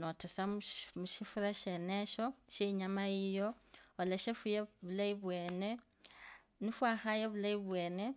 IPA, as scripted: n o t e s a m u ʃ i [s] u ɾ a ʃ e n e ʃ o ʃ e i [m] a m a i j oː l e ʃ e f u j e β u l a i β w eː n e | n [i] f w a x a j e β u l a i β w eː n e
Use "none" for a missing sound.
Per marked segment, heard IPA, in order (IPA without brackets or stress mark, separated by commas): f, ɲ, i